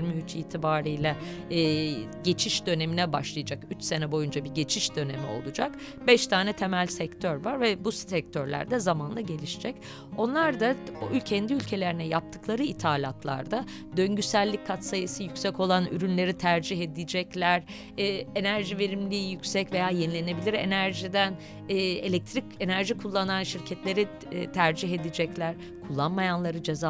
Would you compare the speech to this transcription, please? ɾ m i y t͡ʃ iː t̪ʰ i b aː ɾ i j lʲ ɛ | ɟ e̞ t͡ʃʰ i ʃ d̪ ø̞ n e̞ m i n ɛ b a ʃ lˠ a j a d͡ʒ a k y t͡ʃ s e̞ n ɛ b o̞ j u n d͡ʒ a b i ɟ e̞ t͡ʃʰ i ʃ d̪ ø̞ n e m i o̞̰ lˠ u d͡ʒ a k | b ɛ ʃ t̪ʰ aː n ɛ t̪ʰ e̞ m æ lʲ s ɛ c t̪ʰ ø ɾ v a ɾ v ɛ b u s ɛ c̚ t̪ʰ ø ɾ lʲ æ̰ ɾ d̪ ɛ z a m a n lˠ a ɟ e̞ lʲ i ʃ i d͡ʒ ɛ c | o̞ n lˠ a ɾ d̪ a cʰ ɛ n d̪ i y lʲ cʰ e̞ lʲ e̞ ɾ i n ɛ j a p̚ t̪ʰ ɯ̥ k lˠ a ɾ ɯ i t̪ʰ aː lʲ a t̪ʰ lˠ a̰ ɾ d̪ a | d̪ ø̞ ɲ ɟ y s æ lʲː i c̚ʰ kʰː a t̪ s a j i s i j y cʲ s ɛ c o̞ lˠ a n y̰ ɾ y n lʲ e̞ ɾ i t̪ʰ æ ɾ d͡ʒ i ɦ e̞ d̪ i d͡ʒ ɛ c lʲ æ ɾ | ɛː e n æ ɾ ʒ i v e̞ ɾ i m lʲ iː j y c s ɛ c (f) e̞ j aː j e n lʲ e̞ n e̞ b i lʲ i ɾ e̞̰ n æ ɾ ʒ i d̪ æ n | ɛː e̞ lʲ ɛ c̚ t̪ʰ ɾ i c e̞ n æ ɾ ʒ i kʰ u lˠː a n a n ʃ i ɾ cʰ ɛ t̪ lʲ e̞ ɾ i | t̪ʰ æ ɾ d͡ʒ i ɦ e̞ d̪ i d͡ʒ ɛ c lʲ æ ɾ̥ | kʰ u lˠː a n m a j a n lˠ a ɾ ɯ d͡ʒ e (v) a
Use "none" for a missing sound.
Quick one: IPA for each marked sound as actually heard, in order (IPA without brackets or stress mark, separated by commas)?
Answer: v, z